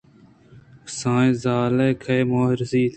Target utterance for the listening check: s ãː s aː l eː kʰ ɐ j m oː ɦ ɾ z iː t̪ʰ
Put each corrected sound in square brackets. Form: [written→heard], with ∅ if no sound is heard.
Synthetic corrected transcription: s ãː [s→z] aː l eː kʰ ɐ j m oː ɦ ɾ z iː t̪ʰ